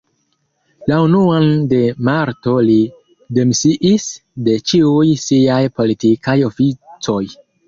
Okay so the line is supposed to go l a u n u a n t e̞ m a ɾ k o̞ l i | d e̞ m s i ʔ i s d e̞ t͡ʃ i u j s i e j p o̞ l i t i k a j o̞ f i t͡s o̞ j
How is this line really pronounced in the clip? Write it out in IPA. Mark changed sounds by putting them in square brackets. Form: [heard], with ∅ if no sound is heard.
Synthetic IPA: l a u n u a n [d] e̞ m a ɾ [t] o̞ l i | d e̞ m s i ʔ i s d e̞ t͡ʃ i u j s i [a] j p o̞ l i t i k a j o̞ f i t͡s o̞ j

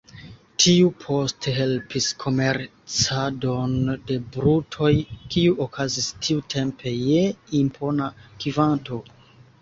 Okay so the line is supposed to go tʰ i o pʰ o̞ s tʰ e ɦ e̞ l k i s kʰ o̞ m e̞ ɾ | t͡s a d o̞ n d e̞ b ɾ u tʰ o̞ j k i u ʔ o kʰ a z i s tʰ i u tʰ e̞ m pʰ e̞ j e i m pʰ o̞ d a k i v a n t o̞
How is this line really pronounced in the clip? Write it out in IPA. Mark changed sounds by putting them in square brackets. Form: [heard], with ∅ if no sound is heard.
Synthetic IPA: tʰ i [u] pʰ o̞ s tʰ e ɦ e̞ l [p] i s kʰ o̞ m e̞ ɾ | t͡s a d o̞ n d e̞ b ɾ u tʰ o̞ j k i u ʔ o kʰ a z i s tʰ i u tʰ e̞ m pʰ e̞ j e i m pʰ o̞ [n] a k i v a n t o̞

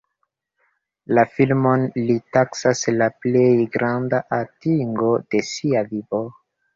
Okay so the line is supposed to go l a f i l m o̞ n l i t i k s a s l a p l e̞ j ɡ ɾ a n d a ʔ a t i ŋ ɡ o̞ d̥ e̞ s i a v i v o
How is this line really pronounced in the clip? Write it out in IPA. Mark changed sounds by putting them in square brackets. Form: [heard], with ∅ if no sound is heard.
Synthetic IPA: l a f i l m o̞ n l i t [a] k s a s l a p l e̞ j ɡ ɾ a n d a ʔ a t i ŋ ɡ o̞ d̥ e̞ s i a v i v o

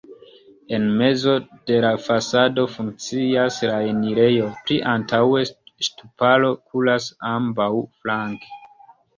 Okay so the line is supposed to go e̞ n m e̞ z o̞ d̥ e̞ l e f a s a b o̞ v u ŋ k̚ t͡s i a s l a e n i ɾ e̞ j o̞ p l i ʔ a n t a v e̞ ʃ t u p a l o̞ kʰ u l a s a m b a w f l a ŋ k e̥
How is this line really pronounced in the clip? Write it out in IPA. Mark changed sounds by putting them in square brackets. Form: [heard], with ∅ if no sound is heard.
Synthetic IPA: e̞ n m e̞ z o̞ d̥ e̞ l [a] f a s a [d] o̞ [f] u ŋ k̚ t͡s i a s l a e n i ɾ e̞ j o̞ p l i ʔ a n t a [w] e̞ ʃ t u p a l o̞ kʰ u l a s a m b a w f l a ŋ k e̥

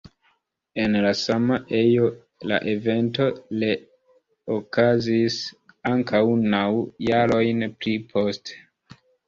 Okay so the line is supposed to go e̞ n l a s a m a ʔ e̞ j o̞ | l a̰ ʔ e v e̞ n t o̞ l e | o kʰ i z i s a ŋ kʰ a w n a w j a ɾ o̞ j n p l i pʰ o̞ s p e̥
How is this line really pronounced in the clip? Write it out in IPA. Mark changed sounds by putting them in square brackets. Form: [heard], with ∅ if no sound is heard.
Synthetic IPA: e̞ n l a s a m a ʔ e̞ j o̞ | l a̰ ʔ e v e̞ n t o̞ l e | o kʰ [a] z i s a ŋ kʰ a w n a w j a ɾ o̞ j n p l i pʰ o̞ s [t] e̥

